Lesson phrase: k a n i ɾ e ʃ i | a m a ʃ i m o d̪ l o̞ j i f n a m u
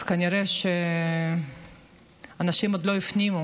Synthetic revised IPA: k a n i ɾ e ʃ e | a n a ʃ i m o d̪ l o̞ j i f n i m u